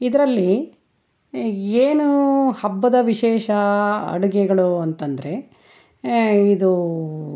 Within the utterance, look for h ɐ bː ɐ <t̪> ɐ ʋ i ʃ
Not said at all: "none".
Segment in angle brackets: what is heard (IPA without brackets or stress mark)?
d̪